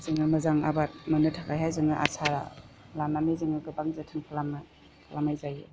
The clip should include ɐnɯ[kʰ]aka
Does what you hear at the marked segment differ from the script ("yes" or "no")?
yes